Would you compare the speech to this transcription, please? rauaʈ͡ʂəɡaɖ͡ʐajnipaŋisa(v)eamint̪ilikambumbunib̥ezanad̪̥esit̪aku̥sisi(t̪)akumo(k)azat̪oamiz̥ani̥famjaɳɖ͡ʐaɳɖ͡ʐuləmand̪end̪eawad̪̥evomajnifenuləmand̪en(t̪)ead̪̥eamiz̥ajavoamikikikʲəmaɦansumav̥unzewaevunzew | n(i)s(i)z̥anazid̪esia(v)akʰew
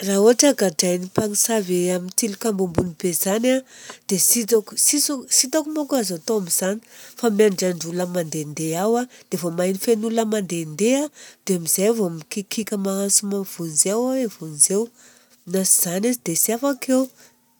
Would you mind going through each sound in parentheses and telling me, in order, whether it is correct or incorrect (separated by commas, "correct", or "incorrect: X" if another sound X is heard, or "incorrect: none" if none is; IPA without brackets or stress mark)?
correct, correct, correct, incorrect: d̪, incorrect: a, correct, incorrect: f